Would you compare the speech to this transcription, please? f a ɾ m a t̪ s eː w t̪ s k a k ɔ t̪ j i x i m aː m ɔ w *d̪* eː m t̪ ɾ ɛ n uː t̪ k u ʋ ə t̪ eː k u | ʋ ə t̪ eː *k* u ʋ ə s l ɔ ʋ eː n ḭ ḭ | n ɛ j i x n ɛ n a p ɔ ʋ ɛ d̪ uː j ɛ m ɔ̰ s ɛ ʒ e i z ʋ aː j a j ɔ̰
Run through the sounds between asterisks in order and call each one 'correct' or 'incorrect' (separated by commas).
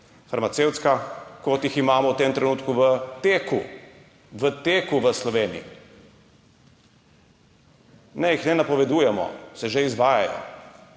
incorrect, correct